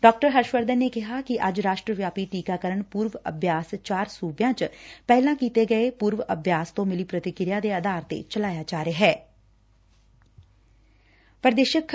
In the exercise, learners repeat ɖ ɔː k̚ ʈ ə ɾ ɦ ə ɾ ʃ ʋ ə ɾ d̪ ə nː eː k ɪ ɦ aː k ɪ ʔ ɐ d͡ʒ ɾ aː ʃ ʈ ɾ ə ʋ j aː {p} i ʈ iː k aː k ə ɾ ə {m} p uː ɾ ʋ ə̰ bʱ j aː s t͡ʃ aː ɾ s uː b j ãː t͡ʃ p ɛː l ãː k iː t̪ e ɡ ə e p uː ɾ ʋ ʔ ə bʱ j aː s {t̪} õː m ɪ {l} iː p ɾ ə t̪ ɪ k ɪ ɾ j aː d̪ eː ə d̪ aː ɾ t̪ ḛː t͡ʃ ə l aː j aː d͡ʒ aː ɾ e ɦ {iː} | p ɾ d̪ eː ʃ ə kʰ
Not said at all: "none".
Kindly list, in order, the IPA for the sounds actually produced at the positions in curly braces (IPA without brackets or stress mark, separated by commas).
p, ɳ, t̪, l, ɛː